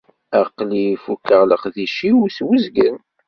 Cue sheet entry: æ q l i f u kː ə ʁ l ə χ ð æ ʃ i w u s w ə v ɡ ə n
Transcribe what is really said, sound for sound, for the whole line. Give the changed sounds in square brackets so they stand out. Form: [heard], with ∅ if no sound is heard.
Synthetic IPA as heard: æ q l i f u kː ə ʁ l ə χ ð [i] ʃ i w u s w ə [z] ɡ ə n